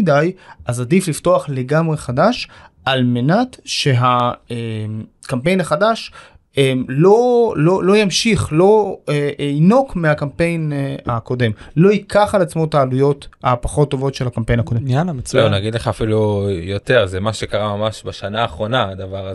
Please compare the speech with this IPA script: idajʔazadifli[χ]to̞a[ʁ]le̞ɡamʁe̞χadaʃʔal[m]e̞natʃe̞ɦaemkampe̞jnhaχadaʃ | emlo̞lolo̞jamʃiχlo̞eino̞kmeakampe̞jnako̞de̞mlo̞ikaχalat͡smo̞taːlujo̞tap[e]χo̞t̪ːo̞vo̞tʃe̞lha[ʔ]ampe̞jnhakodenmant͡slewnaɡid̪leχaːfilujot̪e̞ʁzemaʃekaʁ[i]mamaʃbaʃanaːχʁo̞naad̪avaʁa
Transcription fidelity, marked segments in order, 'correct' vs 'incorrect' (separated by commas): incorrect, incorrect, correct, incorrect, incorrect, incorrect